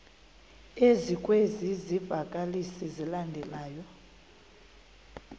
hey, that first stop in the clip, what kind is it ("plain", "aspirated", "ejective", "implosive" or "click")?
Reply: ejective